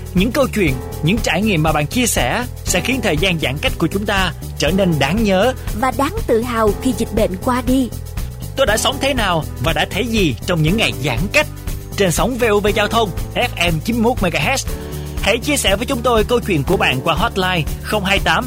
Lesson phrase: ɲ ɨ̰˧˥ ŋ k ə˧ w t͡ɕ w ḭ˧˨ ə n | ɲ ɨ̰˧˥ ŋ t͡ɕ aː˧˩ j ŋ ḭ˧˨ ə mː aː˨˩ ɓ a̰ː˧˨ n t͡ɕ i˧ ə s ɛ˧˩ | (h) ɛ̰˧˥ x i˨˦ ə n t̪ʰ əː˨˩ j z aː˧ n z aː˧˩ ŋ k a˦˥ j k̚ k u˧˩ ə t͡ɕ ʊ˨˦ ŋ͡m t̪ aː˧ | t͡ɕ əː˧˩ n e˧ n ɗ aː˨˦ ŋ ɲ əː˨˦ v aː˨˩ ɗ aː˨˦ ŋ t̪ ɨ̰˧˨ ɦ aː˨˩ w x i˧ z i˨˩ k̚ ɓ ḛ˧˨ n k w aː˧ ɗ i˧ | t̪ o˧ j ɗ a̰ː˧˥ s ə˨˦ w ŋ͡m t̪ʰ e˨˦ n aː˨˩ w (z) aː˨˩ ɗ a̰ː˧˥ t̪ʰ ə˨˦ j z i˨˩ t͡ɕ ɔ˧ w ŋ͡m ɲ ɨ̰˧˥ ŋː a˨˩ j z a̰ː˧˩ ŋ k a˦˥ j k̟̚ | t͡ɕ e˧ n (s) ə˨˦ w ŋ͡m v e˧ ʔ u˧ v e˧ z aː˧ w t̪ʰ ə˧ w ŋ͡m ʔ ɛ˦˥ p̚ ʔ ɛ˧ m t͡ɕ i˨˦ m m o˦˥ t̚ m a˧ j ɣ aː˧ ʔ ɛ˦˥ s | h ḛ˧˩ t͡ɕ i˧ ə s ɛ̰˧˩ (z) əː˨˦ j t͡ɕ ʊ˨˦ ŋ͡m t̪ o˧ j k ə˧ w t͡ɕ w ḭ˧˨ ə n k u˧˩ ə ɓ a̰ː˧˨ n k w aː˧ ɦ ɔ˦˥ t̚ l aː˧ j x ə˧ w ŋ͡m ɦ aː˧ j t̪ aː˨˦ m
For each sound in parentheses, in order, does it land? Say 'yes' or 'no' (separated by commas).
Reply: no, no, yes, no